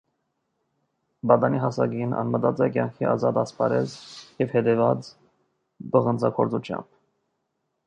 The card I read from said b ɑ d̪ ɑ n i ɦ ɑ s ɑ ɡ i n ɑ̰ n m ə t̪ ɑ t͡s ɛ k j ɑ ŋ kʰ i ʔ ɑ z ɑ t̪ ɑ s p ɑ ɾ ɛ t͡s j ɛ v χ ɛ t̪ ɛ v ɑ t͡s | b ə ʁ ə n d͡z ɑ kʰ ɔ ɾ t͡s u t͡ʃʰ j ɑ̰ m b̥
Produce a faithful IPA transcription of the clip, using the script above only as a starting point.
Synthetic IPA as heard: b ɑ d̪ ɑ n i ɦ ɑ s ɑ ɡ i n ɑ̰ n m ə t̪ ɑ t͡s ɛ k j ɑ ŋ kʰ i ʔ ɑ z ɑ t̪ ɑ s p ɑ ɾ ɛ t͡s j ɛ v h ɛ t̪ ɛ v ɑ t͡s | b ə ʁ ə n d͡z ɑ kʰ ɔ ɾ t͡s u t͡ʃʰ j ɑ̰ m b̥